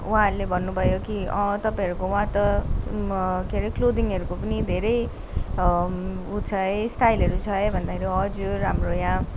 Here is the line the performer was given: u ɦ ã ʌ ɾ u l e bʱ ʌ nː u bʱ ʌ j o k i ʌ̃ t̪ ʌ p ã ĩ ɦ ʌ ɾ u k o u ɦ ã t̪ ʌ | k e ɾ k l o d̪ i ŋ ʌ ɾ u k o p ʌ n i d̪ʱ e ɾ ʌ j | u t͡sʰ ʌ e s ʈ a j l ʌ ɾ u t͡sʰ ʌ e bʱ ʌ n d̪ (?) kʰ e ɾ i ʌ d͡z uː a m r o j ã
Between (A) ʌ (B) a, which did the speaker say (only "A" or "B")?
B